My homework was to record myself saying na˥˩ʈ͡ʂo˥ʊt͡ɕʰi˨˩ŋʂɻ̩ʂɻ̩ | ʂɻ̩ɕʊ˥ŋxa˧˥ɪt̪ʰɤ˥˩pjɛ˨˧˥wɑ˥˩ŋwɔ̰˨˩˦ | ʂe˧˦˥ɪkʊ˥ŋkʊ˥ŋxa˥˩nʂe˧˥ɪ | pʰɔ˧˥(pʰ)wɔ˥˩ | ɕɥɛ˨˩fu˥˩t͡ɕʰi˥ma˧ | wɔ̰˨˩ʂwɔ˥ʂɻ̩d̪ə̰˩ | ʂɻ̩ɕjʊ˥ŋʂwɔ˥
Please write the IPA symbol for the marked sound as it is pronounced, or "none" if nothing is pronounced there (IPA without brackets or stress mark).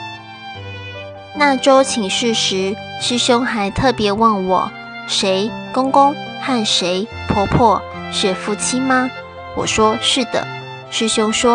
pʰ